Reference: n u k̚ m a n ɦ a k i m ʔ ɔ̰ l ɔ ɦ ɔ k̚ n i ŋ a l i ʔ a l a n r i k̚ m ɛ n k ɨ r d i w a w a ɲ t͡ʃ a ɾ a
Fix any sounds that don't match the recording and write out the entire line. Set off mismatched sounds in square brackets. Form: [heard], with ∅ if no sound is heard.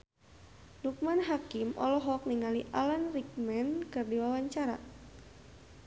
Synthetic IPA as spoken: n u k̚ m a n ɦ a k i m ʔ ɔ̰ l ɔ ɦ ɔ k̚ n i ŋ a l i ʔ a l a n r i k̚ m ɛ n k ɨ r d i w a w a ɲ t͡ʃ a ɾ a